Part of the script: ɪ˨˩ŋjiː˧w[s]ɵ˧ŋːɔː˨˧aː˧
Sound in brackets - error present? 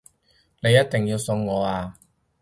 no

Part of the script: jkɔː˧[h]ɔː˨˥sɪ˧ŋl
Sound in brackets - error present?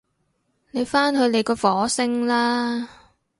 yes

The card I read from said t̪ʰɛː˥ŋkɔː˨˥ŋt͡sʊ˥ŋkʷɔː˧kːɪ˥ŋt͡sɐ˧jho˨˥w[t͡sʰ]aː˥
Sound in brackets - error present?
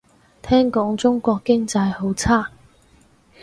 no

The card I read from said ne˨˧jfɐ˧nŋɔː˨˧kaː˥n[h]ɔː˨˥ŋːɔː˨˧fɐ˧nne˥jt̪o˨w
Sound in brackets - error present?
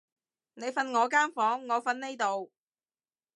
yes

